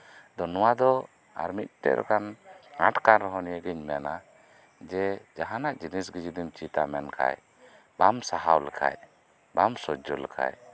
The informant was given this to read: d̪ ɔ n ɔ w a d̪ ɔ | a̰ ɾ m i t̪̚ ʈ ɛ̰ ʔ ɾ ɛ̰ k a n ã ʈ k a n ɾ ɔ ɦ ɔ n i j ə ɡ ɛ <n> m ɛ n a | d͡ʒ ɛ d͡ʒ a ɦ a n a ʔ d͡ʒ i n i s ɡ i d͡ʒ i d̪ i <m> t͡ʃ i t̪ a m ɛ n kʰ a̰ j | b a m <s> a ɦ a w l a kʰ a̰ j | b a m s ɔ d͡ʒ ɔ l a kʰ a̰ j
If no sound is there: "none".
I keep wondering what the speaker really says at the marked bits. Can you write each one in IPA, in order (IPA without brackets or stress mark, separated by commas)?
ɲ, m, s